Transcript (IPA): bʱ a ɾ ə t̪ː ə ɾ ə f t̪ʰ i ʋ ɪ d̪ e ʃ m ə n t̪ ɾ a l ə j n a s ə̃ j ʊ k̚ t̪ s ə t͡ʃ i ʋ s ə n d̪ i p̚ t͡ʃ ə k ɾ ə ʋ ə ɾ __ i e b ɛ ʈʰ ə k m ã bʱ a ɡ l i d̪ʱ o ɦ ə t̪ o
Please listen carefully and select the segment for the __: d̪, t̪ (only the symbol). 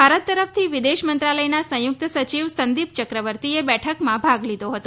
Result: t̪